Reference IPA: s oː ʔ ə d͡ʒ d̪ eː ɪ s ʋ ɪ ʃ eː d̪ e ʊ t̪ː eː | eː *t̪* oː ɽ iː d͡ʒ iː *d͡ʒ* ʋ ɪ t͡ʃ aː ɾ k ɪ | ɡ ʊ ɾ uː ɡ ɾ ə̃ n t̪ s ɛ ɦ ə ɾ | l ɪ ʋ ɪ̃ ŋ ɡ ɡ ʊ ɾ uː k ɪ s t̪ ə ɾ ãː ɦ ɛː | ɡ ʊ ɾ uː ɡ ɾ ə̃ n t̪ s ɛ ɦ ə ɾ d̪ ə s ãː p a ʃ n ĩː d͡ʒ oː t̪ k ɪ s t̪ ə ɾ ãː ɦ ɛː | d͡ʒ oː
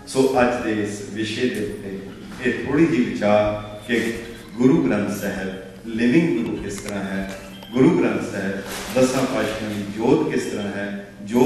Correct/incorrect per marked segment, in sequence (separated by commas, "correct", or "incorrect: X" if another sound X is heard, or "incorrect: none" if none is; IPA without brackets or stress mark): incorrect: t̪ʰ, incorrect: none